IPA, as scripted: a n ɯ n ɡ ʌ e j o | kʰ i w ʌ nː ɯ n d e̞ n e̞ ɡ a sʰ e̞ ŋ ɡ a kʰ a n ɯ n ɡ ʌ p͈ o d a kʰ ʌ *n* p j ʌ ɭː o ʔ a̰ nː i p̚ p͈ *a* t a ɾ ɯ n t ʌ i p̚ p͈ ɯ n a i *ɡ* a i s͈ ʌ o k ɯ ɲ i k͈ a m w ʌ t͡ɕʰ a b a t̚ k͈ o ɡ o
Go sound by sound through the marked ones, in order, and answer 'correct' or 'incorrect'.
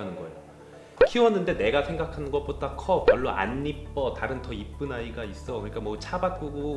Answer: incorrect, incorrect, correct

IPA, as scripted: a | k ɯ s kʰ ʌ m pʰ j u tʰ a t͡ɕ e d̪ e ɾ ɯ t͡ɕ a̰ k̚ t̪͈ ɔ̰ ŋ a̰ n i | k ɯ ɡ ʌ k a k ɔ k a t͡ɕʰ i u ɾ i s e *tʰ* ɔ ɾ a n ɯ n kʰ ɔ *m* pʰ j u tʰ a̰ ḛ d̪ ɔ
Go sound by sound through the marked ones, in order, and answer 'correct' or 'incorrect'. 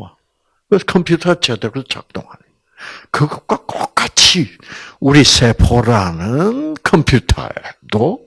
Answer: incorrect, correct

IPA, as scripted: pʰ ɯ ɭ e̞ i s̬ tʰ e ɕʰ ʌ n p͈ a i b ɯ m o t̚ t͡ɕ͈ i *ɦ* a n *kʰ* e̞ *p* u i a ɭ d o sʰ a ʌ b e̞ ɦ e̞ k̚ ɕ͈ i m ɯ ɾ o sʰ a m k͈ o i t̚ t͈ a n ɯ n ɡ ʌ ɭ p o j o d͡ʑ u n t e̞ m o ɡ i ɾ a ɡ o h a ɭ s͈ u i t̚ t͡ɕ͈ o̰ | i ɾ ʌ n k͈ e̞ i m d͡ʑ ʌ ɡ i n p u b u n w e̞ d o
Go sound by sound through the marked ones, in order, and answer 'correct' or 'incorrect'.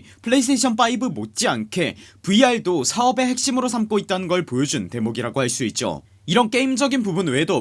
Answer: incorrect, correct, correct

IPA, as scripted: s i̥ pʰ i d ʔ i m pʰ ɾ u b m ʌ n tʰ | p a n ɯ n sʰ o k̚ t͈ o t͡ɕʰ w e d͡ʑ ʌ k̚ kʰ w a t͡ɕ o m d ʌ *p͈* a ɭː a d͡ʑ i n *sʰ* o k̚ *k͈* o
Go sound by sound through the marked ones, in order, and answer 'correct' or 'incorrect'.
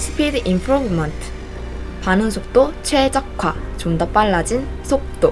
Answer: correct, correct, incorrect

